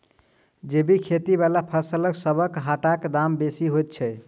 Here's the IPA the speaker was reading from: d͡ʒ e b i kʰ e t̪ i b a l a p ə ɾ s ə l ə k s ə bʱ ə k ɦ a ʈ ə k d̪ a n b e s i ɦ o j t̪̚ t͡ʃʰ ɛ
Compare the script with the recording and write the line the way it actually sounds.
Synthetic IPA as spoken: d͡ʒ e b i kʰ e t̪ i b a l a pʰ ə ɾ s ə l ə k s ə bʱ ə k ɦ a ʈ a k d̪ a m b e s i ɦ o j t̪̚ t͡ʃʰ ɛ

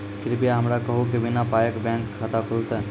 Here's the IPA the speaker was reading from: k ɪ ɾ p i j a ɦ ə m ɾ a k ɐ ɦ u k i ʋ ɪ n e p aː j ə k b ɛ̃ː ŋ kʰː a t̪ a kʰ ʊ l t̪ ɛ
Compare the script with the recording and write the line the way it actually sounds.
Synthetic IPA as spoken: k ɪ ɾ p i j a ɦ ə m ɾ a k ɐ ɦ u k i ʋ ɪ n a p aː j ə k b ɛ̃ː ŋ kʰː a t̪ a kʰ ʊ l t̪ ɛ

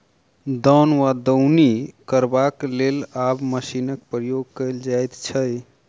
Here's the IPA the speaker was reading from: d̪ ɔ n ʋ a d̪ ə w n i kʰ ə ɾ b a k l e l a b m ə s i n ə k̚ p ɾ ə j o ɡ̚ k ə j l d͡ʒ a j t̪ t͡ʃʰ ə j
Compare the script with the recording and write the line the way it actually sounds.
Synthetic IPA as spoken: d̪ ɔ n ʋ a d̪ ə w n i k ə ɾ b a k l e l a b m ə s i n ə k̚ p ɾ ə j o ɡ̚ k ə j l d͡ʒ a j t̪ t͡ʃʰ ə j

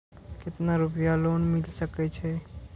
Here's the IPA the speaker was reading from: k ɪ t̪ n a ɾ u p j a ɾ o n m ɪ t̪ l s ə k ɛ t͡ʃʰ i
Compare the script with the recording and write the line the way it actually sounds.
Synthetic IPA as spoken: k ɪ t̪ n a ɾ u p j a l o n m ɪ l s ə k ɛ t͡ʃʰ ɛ

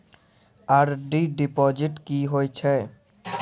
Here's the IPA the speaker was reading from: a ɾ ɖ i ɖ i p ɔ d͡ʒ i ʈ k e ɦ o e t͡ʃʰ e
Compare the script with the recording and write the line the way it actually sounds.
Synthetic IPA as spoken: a ɾ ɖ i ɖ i p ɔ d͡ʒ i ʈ k i ɦ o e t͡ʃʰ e

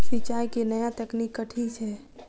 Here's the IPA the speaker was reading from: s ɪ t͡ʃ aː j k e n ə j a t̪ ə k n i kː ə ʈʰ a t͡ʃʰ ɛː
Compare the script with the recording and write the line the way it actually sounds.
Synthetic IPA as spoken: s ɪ t͡ʃ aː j k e n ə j a t̪ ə k n i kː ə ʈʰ i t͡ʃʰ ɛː

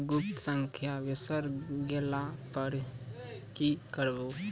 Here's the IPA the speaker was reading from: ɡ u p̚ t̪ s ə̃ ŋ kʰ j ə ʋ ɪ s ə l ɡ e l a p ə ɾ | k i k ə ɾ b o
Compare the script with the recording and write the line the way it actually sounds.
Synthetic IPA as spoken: ɡ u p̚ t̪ s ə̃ ŋ kʰ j a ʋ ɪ s ə ɾ ɡ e l a p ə ɾ | k i k ə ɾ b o

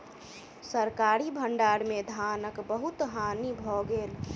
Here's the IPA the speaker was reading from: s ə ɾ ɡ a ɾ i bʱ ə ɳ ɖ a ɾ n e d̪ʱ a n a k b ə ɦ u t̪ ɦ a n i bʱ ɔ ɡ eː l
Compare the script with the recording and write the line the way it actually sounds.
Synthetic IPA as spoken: s ə ɾ k a ɾ i bʱ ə ɳ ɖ a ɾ m e d̪ʱ a n ə k b ə ɦ u t̪ ɦ a n i bʱ ɔ ɡ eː l

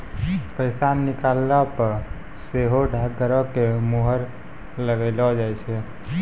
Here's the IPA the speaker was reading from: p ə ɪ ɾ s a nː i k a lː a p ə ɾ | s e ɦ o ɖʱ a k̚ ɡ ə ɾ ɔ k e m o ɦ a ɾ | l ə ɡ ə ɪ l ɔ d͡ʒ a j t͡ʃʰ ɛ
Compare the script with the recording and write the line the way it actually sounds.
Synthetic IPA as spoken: p ə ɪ s a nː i k a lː a p ə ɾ | s e ɦ o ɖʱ a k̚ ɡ ə ɾ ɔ k e m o ɦ ə ɾ | l ə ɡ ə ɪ l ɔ d͡ʒ a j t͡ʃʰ ɛ

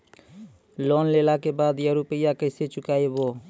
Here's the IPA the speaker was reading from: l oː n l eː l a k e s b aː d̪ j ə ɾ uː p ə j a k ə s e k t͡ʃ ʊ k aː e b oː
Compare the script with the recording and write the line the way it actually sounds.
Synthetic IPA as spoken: l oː n l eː l a k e b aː d̪ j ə ɾ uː p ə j a k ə s e t͡ʃ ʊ k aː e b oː

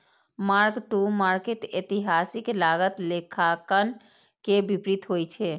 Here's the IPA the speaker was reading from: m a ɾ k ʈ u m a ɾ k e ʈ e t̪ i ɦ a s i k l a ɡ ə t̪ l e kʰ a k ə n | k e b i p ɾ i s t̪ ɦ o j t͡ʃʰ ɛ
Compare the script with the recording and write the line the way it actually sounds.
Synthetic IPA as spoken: m a ɾ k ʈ u m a ɾ k e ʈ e t̪ i ɦ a s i k l a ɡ ə t̪ l e kʰ a k ə n | k e b i p ɾ i t̪ ɦ o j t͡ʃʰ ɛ

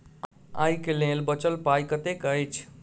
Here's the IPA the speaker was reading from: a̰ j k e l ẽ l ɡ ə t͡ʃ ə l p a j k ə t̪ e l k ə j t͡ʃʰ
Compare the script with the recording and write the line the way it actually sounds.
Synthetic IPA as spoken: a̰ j k e l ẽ l b ə t͡ʃ ə l p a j k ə t̪ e k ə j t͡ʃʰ

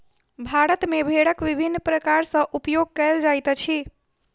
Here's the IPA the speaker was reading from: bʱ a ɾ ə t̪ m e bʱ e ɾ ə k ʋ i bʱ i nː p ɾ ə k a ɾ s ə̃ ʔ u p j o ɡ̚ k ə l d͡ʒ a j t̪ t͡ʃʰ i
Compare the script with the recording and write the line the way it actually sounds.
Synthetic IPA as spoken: bʱ a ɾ ə t̪ m e bʱ e ɽ ə k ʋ i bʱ i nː p ɾ ə k a ɾ s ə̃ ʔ u p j o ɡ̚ k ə l d͡ʒ a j t̪ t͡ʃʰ i

